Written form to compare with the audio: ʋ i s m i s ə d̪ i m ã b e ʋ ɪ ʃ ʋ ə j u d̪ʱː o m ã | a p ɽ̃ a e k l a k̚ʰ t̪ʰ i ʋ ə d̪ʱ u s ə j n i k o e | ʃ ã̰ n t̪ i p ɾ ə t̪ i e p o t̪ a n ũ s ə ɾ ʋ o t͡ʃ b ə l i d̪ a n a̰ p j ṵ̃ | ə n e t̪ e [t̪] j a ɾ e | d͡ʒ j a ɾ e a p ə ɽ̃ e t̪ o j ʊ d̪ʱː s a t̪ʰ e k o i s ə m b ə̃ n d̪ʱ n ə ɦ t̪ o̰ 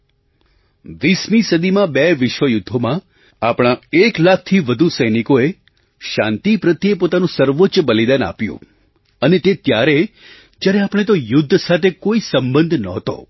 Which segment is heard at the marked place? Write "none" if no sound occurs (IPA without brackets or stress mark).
t̪